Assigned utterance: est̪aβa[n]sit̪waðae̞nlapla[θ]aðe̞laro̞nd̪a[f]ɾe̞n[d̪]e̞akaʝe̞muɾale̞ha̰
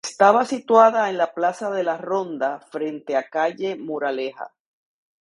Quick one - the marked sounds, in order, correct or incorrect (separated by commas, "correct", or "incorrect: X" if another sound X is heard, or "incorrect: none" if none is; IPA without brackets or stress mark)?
incorrect: none, incorrect: s, correct, incorrect: t̪